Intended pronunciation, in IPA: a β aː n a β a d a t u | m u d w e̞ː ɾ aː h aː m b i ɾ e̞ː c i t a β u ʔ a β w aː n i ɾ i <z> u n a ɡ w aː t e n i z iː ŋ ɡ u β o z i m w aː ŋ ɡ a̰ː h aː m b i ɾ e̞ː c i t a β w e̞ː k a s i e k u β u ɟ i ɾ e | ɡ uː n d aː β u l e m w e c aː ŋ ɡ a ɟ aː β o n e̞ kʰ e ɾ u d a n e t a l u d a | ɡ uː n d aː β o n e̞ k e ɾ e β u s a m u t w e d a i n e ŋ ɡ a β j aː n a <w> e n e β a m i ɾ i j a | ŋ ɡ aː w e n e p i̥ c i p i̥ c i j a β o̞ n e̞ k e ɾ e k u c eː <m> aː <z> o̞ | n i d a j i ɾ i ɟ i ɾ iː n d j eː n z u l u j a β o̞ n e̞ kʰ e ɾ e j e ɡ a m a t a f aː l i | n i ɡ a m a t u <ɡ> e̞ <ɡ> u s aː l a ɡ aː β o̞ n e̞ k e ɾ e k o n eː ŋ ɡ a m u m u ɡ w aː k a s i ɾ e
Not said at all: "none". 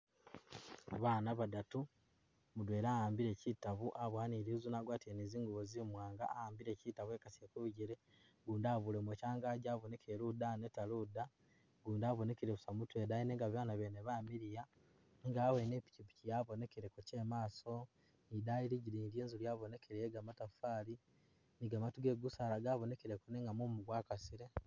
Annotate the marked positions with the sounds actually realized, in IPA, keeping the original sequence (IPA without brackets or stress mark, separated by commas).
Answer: z, β, m, s, ɡ, ɡ